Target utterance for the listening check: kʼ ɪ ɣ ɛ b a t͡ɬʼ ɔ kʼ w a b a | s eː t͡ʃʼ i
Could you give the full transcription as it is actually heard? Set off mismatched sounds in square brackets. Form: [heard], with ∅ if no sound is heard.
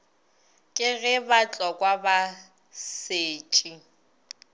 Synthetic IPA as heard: kʼ ɪ ɣ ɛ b a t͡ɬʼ ɔ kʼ w a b a | s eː t͡ʃʼ i